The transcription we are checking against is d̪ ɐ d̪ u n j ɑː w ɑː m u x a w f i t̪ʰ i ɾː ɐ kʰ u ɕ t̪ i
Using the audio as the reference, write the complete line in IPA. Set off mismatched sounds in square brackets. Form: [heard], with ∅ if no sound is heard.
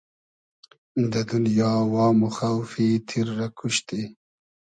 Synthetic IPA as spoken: d̪ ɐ d̪ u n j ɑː w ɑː m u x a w f i t̪ʰ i ɾː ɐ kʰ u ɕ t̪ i